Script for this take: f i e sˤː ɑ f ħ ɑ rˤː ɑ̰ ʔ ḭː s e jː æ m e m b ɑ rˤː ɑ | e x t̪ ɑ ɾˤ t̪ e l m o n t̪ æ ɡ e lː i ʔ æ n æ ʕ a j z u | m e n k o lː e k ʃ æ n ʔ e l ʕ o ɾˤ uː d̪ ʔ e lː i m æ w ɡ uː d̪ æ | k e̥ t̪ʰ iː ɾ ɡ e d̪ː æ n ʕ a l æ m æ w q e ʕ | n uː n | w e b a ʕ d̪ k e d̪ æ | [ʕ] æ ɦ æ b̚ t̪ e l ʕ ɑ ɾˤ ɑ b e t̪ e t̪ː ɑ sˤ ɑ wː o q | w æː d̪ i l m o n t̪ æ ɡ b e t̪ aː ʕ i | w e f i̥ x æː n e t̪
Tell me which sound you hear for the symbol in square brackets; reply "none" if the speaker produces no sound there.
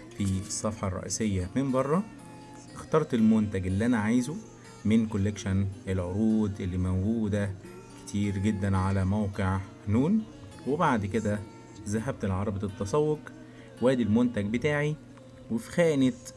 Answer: z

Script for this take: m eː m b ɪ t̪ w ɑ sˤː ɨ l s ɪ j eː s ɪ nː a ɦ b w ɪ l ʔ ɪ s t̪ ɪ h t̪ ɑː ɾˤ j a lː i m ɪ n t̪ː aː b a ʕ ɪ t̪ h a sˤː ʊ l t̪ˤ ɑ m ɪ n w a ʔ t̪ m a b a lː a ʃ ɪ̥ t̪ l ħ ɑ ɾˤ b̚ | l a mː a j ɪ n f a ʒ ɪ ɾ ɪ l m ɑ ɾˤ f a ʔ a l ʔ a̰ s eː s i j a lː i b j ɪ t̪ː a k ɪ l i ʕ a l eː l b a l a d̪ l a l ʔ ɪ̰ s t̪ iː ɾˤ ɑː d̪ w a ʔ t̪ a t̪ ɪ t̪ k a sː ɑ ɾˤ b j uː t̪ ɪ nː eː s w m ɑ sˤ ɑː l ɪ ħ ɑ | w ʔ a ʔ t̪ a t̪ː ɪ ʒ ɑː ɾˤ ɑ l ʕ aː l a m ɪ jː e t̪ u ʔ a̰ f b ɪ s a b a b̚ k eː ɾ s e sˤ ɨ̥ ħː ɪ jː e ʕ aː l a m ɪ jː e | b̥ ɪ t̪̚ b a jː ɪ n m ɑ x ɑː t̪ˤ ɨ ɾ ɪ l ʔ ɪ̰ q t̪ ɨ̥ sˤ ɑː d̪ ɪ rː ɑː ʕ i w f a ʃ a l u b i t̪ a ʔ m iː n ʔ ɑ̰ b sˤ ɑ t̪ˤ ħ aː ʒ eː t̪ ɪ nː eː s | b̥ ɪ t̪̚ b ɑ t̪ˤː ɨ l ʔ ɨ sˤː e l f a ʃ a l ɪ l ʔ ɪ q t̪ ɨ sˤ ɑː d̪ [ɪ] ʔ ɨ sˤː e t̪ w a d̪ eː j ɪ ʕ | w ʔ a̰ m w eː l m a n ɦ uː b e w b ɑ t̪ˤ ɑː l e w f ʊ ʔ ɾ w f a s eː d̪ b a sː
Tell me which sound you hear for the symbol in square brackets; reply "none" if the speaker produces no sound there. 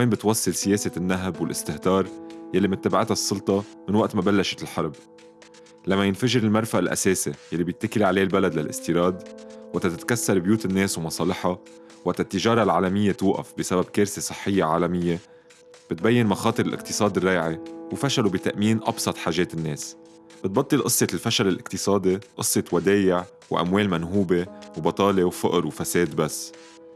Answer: i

